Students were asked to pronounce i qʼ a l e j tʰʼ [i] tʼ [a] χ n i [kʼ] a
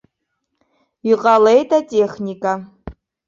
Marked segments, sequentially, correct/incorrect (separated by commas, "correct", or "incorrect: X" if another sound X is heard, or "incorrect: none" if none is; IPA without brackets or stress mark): incorrect: a, incorrect: e, correct